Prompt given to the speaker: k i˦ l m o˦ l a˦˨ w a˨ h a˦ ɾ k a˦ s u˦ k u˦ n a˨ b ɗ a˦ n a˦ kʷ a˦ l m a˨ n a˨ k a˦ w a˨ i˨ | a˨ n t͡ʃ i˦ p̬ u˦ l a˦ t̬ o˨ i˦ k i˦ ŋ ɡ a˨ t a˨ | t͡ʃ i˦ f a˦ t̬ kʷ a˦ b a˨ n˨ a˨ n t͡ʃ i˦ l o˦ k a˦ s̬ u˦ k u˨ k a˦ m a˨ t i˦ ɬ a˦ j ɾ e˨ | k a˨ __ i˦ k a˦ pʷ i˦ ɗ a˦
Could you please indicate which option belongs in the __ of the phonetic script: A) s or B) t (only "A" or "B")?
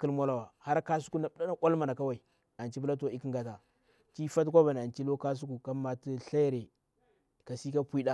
A